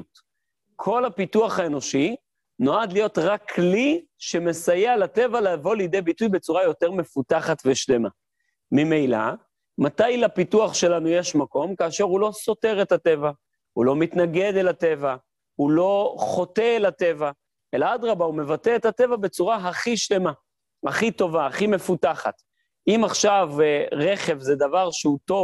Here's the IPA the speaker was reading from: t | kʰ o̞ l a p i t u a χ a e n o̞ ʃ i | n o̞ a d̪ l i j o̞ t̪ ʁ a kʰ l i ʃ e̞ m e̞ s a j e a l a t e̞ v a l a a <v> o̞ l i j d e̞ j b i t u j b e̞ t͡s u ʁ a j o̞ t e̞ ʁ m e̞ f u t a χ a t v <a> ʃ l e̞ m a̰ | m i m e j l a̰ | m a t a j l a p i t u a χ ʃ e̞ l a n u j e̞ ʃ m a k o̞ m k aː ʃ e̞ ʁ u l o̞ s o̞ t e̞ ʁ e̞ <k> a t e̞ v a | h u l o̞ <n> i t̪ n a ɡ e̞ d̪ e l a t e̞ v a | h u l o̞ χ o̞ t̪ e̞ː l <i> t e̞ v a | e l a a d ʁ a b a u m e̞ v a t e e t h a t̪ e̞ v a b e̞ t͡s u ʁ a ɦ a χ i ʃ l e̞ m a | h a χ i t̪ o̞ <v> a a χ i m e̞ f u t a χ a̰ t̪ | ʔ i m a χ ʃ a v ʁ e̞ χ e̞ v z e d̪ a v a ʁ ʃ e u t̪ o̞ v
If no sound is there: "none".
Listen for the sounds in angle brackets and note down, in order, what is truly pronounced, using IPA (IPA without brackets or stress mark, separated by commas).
v, e, t, m, a, v